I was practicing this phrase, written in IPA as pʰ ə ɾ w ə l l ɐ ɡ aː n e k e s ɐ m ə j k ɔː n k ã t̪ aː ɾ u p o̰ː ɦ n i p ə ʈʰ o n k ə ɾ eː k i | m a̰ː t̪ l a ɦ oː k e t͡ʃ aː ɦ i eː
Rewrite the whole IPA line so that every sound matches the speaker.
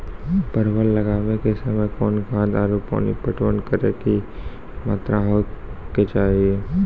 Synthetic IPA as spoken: p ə ɾ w ə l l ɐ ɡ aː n e k e s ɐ m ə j k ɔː n k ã d̪ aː ɾ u p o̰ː n i p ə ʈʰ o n k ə ɾ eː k i | m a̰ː t̪ ɾ a ɦ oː k e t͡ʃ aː ɦ i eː